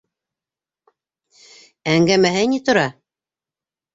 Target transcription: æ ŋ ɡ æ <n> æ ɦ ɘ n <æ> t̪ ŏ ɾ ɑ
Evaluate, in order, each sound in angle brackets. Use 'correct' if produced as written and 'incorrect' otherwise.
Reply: incorrect: m, incorrect: i

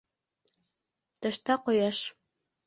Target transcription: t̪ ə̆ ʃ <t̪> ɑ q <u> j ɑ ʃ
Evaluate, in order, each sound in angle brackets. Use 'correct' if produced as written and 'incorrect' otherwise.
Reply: correct, incorrect: o

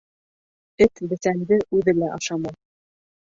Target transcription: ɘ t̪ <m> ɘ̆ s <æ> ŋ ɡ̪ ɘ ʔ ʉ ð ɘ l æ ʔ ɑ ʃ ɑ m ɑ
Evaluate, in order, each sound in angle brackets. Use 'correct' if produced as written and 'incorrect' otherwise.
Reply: incorrect: b, correct

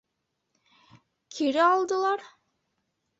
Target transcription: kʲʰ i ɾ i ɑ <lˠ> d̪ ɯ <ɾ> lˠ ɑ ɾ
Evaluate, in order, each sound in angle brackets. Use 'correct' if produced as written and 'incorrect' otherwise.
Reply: correct, incorrect: none

